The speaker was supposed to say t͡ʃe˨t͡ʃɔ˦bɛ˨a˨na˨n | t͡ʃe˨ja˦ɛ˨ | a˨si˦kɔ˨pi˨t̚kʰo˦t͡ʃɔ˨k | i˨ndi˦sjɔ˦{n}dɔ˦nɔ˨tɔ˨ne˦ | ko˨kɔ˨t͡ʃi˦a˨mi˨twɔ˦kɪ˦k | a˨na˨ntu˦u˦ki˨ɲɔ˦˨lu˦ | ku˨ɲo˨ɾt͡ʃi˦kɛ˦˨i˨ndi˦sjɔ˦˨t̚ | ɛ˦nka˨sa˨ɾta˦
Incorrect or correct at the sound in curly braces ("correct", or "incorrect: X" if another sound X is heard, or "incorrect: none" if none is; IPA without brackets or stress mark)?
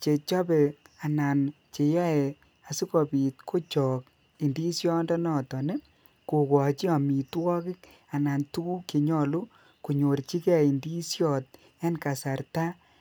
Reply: correct